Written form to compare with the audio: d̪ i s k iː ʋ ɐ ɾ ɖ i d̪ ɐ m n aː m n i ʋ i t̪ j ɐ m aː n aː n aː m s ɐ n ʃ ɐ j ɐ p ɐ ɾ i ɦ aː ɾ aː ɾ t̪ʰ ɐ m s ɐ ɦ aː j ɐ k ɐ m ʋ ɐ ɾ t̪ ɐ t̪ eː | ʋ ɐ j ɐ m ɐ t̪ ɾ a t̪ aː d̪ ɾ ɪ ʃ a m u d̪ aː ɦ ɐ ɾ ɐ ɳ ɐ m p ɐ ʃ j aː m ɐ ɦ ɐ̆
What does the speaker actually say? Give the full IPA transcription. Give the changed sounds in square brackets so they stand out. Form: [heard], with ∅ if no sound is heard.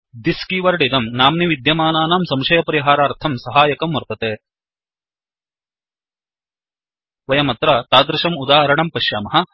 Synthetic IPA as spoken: d̪ i s k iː ʋ ɐ ɾ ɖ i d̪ ɐ m n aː m n i ʋ i [d̪] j ɐ m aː n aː n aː m s ɐ [m] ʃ ɐ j ɐ p ɐ ɾ i ɦ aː ɾ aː ɾ t̪ʰ ɐ m s ɐ ɦ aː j ɐ k ɐ m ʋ ɐ ɾ t̪ ɐ t̪ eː | ʋ ɐ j ɐ m ɐ t̪ ɾ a t̪ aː d̪ ɾ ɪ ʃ [ɐ] m u d̪ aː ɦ ɐ ɾ ɐ ɳ ɐ m p ɐ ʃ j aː m ɐ ɦ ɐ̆